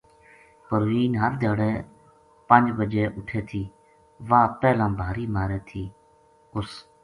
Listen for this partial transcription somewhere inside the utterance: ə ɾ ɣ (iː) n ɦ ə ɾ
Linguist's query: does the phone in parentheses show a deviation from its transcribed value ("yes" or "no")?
no